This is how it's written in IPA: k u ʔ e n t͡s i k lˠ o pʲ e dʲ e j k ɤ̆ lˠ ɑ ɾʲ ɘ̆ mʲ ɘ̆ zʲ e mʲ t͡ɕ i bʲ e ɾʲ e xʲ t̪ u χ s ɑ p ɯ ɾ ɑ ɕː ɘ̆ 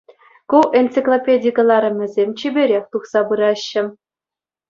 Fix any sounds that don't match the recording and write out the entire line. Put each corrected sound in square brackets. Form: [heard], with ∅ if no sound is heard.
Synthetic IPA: k u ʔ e n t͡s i k lˠ o pʲ e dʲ [i] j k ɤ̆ lˠ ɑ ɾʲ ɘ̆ mʲ ɘ̆ zʲ e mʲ t͡ɕ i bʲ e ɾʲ e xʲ t̪ u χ s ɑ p ɯ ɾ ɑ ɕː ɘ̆